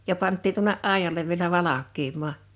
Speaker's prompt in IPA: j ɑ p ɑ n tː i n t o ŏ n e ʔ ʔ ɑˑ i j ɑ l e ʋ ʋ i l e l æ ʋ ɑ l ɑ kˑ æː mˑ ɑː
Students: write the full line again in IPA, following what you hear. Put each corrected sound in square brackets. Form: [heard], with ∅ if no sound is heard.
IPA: j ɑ p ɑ n tː [iː] n t [u] ŏ n e ʔ ʔ ɑˑ i j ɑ l e ʋ ʋ i [∅] e l æ ʋ ɑ l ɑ kˑ [iː] mˑ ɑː